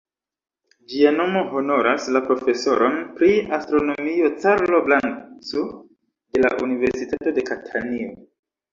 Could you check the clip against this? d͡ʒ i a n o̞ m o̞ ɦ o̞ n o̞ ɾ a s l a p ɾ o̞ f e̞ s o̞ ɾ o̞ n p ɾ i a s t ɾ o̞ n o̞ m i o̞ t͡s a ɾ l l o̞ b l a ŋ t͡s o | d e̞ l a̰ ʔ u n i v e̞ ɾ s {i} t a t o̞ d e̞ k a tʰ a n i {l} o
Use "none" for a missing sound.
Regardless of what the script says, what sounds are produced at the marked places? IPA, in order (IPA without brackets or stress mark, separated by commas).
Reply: i, none